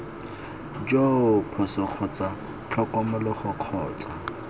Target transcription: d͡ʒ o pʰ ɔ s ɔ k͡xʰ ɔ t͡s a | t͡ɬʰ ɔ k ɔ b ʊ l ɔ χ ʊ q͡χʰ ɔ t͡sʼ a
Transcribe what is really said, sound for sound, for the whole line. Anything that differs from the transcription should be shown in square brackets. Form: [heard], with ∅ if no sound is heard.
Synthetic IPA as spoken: d͡ʒ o pʰ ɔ s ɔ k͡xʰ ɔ t͡s a | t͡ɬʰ ɔ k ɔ [m] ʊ l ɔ χ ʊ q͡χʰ [ɔː] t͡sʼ a